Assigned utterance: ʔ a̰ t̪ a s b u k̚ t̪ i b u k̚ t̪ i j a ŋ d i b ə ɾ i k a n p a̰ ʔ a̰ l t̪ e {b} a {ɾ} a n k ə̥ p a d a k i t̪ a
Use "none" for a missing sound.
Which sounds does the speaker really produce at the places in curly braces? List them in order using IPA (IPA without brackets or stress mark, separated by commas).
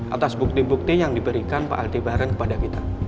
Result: b, ɾ